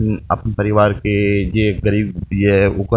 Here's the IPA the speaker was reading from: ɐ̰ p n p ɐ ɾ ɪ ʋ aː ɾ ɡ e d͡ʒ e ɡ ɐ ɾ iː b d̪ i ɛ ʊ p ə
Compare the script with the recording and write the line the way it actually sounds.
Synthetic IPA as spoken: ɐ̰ p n p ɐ ɾ ɪ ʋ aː ɾ k e d͡ʒ e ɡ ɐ ɾ iː b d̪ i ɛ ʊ k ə

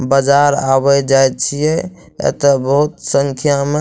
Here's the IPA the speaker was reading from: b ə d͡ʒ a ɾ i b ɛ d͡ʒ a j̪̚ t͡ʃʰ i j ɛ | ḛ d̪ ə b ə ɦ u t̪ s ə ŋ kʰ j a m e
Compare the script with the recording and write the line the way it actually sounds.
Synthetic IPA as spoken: b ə d͡ʒ a ɾ a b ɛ d͡ʒ a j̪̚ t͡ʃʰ i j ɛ | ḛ t̪ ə b ə ɦ u t̪ s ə ŋ kʰ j a m e

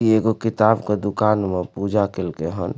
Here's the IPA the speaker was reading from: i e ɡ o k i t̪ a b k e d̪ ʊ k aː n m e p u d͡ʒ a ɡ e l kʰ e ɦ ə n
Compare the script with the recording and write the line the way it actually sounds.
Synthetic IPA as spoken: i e ɡ o k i t̪ a b k e d̪ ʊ k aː n m e p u d͡ʒ a k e l k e ɦ ə n

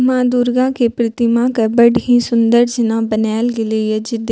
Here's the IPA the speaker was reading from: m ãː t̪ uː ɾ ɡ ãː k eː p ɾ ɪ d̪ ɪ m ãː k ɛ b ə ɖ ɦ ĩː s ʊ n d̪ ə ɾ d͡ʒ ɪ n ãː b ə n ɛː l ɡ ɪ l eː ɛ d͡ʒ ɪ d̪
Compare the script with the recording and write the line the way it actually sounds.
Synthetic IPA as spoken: m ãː d̪ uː ɾ ɡ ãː k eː p ɾ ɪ t̪ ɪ m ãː k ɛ b ə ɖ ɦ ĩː s ʊ n d̪ ə ɾ d͡ʒ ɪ n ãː b ə n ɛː l ɡ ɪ l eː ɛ d͡ʒ ɪ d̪

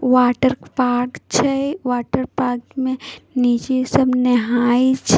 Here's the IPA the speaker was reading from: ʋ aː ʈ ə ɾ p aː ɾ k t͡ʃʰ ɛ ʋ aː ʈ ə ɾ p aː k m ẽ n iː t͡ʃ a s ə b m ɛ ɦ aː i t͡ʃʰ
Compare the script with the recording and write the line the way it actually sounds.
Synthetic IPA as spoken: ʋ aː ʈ ə ɾ p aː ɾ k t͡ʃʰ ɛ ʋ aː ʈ ə ɾ p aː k m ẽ n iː t͡ʃ e s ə b n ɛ ɦ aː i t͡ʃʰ

